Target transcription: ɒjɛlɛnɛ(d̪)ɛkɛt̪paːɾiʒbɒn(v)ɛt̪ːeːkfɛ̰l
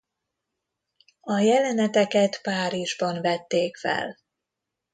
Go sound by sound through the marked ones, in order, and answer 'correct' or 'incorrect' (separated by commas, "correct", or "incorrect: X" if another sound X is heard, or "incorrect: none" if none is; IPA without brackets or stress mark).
incorrect: t̪, correct